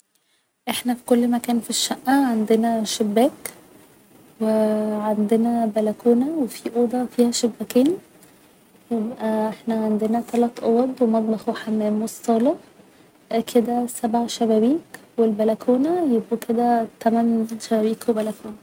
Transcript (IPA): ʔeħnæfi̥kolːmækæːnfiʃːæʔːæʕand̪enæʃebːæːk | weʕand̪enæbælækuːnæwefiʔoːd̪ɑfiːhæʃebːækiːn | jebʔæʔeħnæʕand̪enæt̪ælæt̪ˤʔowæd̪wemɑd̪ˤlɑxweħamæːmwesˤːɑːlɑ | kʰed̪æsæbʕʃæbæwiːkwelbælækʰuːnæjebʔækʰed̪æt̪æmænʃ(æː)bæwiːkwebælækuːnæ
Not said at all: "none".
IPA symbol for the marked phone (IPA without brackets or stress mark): æ